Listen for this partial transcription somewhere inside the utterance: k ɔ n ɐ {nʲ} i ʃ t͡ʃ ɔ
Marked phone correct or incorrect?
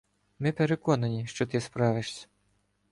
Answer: correct